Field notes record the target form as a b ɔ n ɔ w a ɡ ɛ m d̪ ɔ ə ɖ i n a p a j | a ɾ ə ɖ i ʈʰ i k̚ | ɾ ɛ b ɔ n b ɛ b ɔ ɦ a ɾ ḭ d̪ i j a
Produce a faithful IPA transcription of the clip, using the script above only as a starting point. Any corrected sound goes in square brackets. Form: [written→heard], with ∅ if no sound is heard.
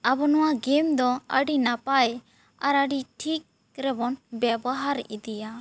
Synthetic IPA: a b ɔ n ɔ w a ɡ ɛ m d̪ ɔ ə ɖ i n a p a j | a ɾ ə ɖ i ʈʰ i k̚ | ɾ ɛ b ɔ n b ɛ b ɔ ɦ a ɾ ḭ d̪ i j a